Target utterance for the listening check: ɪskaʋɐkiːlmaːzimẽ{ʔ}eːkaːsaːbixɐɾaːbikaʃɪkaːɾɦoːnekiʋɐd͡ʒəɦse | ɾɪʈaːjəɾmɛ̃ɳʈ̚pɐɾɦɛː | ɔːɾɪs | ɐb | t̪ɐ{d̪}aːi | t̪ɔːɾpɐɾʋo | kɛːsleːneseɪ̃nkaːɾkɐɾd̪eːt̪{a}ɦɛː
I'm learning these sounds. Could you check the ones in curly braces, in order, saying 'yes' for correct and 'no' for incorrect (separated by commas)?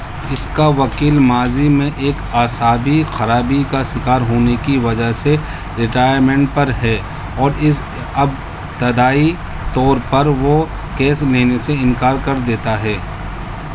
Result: yes, yes, yes